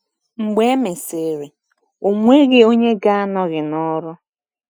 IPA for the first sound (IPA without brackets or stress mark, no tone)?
ŋ͡m̩